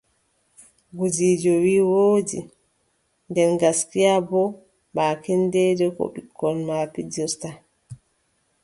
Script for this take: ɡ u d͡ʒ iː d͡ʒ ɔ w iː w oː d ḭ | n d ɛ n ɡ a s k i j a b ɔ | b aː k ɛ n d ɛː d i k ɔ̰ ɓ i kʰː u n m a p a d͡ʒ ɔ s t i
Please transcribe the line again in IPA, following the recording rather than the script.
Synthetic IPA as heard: ɡ u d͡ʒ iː d͡ʒ ɔ w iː w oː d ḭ | n d ɛ n ɡ a s k i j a b ɔ | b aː k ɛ n d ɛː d ɛ k ɔ̰ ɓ i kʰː ɔ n m a p i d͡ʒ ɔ s t a